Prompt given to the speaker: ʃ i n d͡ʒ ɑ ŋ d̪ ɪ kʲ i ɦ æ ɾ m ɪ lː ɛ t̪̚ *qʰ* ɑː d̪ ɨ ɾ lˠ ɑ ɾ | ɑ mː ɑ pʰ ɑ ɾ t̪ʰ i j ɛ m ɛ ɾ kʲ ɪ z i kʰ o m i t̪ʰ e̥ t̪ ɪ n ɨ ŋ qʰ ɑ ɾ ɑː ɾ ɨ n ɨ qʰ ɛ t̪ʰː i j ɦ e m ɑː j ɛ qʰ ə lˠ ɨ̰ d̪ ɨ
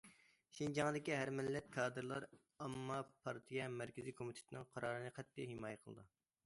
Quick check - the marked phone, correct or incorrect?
incorrect